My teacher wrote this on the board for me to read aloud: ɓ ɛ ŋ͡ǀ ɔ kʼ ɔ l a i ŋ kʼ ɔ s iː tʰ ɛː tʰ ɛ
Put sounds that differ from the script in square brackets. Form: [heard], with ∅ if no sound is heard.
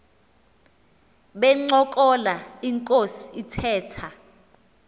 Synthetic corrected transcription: ɓ ɛ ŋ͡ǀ ɔ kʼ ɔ l a i ŋ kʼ [o] s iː tʰ ɛː tʰ [a]

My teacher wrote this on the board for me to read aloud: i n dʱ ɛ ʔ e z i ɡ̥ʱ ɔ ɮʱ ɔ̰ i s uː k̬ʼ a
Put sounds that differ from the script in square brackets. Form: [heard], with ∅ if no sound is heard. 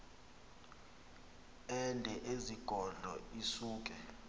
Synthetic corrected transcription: [ɛ] n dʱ ɛ ʔ e z i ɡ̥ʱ ɔ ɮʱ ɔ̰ i s uː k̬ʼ [ɛ]

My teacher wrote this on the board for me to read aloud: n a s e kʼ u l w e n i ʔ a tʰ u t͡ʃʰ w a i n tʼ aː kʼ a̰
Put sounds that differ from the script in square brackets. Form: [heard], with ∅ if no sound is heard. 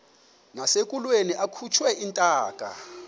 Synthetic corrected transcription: n a s e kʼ u l w e n i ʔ a [kʰ] u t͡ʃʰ w [ɛ] i n tʼ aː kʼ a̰

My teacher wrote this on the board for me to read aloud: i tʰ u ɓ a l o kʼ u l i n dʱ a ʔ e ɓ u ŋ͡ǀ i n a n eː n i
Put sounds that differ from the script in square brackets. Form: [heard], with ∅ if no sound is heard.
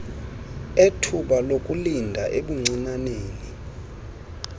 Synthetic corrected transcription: [e] tʰ u ɓ a l o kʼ u l i n dʱ a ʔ e ɓ u ŋ͡ǀ i n a n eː n i

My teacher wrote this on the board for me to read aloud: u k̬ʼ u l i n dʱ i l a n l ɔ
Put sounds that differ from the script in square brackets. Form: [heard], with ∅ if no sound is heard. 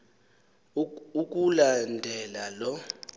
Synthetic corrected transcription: u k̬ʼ u l [a] n dʱ [ɛ] l a [∅] l ɔ

